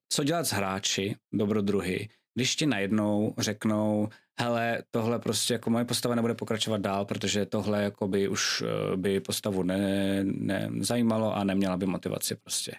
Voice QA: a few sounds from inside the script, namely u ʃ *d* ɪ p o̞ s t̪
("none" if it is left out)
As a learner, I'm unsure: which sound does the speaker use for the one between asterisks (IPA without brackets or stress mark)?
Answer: b